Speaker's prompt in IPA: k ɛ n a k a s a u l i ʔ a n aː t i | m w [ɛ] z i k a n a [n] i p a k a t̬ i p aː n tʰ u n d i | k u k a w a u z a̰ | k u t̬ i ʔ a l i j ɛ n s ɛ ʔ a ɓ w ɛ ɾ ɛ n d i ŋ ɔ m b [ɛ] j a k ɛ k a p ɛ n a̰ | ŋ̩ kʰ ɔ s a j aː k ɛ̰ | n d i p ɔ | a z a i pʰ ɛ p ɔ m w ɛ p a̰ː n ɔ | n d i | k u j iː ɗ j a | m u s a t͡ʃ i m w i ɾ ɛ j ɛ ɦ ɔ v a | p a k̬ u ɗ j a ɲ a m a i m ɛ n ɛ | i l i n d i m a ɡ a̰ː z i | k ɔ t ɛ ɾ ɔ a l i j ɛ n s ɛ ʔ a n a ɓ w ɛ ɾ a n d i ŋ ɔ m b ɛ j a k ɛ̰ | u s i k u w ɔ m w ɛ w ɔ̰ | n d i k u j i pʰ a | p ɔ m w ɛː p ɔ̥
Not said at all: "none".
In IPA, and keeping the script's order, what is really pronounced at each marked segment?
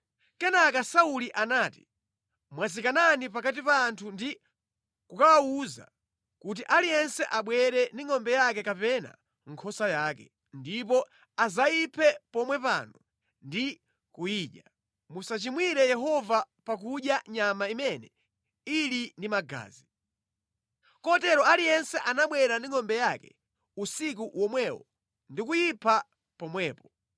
a, n, ɛ

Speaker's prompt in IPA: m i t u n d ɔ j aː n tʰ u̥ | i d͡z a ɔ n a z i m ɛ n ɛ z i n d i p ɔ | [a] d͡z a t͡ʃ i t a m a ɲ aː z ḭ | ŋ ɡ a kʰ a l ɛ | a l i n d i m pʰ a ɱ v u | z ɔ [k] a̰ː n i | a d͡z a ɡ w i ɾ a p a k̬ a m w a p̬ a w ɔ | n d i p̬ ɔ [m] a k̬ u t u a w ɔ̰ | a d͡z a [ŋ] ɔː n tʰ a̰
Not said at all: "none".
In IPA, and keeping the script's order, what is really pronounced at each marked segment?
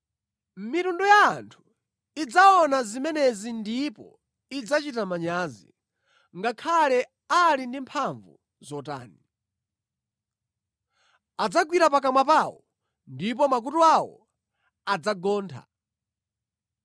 i, t, m, ɡ

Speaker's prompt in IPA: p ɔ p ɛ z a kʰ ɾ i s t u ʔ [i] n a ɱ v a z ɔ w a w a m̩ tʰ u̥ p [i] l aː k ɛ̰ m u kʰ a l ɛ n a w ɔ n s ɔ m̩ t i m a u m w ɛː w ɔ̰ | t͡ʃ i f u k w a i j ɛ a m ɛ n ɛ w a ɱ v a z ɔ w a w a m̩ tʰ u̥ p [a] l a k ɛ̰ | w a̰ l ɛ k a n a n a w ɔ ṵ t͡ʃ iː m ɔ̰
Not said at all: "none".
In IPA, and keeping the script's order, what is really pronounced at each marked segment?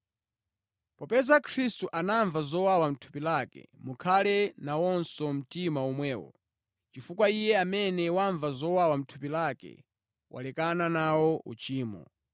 a, i, i

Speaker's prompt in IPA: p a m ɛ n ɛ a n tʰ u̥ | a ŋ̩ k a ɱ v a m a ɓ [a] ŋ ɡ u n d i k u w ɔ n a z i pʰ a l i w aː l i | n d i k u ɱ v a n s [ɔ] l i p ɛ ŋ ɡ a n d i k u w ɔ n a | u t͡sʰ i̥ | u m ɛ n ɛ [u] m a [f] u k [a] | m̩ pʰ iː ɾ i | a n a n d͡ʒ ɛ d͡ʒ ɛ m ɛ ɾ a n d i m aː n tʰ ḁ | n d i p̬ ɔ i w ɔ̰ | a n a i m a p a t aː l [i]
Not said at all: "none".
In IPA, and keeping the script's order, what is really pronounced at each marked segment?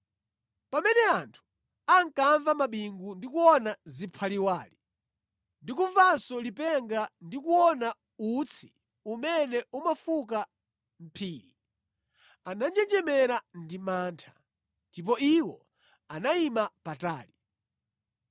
i, ɔ, u, f, a, i

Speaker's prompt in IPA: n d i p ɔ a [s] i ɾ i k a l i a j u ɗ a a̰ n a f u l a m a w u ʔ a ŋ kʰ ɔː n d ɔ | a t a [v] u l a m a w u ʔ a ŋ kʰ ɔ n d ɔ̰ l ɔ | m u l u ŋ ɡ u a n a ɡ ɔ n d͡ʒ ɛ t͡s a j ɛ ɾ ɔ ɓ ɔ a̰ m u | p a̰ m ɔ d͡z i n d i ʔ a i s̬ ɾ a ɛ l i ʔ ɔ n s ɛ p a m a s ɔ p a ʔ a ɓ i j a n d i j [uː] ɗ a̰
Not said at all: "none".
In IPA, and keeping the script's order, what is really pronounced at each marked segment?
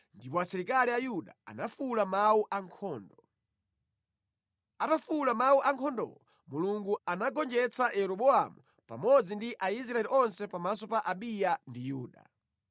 s, f, uː

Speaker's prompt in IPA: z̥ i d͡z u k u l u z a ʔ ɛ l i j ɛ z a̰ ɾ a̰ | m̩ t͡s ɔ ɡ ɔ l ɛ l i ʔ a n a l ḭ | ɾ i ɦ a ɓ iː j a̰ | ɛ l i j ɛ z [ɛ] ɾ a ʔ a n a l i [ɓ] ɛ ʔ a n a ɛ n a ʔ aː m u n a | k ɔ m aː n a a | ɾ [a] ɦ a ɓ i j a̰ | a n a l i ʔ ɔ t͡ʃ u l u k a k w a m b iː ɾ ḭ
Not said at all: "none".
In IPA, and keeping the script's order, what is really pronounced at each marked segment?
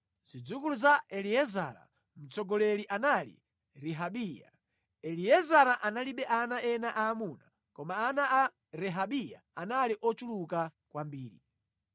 a, ɓ, ɛ

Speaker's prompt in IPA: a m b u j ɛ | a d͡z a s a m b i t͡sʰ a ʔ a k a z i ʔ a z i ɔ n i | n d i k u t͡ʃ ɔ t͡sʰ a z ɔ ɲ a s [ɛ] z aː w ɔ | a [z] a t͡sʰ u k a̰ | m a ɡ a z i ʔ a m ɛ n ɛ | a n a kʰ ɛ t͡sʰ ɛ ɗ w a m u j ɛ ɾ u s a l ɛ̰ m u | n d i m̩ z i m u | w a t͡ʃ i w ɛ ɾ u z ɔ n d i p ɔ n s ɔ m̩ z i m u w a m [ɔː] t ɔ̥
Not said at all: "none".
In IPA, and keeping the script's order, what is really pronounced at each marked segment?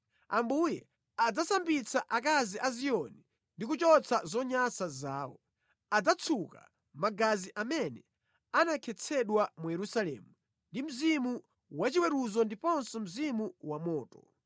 a, d͡z, ɔː

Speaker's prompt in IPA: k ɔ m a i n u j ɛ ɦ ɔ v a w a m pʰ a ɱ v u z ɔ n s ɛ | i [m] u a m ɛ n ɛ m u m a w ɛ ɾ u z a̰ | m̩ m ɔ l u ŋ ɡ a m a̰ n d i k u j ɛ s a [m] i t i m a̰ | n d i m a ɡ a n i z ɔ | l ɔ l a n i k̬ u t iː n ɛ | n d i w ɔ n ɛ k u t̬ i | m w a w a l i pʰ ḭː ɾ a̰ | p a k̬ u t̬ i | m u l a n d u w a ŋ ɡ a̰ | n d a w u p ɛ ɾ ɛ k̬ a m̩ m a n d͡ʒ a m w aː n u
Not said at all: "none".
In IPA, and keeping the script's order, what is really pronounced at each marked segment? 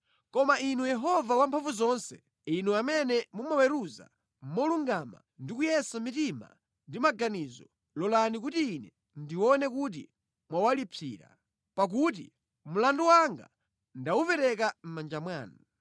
n, m

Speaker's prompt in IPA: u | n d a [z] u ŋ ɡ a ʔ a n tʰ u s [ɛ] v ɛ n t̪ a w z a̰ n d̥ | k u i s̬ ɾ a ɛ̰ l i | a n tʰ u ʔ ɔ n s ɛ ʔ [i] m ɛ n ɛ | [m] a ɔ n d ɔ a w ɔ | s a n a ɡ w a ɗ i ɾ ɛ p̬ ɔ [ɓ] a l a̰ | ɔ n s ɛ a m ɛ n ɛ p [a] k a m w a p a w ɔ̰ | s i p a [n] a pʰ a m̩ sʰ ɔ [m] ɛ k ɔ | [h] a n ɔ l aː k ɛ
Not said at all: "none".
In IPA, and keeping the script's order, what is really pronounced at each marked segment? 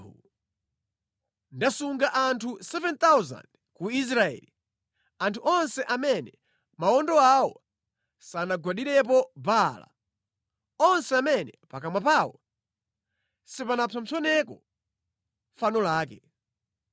s, ɛ, a, m, b, a, n, n, f

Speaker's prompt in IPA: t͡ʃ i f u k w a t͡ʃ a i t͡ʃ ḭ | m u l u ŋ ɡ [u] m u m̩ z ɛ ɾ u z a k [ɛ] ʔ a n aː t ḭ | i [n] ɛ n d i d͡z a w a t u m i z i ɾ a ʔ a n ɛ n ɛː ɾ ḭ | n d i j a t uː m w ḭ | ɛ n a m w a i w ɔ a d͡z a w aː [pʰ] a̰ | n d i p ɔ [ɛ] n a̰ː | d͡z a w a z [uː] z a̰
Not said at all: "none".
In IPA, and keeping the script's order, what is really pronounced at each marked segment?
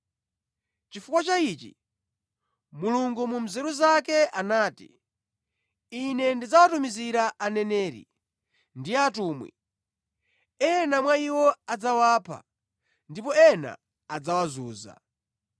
u, ɛ, n, pʰ, ɛ, uː

